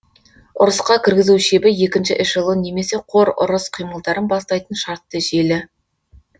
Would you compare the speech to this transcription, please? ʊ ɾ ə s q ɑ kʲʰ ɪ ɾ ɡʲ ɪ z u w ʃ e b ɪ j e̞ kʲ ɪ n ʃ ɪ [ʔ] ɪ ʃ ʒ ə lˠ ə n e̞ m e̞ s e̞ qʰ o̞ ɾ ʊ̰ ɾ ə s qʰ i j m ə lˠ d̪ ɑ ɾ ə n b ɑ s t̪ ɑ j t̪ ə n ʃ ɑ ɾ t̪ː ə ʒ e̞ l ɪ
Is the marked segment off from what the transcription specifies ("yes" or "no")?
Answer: no